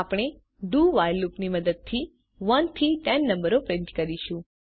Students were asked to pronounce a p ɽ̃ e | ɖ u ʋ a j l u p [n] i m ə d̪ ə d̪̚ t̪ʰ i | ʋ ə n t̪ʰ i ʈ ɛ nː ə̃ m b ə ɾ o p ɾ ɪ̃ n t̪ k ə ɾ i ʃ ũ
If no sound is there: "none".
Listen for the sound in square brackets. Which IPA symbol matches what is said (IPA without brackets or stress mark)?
n